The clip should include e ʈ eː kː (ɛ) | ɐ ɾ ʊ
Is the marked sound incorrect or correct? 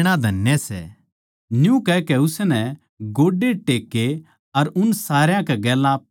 incorrect